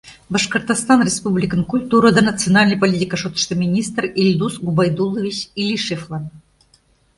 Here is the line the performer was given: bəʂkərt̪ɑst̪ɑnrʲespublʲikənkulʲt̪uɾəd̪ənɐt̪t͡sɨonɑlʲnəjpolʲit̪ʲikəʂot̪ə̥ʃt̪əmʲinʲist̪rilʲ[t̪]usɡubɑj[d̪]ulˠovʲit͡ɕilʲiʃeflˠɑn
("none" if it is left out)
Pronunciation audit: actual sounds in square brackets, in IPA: d̪, d̪

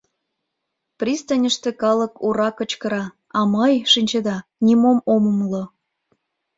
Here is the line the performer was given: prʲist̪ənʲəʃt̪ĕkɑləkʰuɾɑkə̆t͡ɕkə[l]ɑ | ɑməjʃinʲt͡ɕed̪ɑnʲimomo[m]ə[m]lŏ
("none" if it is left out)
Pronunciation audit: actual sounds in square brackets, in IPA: ɾ, m, m

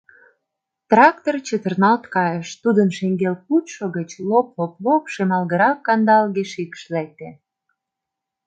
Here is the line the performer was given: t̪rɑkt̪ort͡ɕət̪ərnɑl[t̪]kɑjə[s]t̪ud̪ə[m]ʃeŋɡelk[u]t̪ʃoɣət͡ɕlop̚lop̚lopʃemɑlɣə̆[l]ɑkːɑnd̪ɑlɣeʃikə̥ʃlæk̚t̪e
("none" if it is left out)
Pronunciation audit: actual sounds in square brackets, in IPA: t̪, ʃ, n, u, ɾ

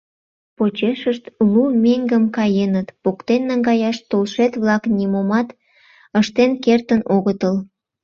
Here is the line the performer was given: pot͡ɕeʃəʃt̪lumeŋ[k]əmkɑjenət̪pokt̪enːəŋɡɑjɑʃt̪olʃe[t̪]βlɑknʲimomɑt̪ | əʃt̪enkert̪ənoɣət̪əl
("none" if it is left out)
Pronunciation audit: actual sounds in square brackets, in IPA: ɡ, t̪

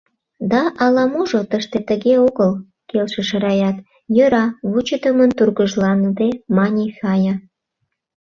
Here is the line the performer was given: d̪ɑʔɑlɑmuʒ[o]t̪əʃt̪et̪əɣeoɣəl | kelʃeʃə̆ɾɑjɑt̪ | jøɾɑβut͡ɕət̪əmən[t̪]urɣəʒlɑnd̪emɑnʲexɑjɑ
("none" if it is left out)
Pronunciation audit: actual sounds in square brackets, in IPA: o, t̪

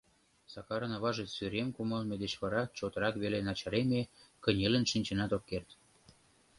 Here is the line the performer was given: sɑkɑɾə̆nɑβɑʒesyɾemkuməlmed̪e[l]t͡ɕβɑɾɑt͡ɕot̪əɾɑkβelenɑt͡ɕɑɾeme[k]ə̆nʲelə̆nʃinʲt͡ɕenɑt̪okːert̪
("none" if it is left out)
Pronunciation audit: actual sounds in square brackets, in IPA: none, k

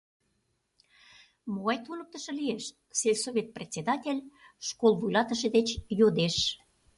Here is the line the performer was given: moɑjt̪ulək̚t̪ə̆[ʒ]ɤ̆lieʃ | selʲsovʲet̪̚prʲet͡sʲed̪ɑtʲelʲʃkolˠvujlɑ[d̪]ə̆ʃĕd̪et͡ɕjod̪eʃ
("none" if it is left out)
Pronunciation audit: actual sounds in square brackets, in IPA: ʃ, t̪

